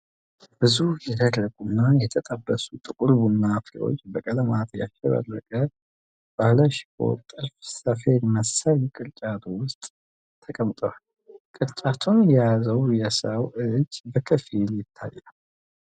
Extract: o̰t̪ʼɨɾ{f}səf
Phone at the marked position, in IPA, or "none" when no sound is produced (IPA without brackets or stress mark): f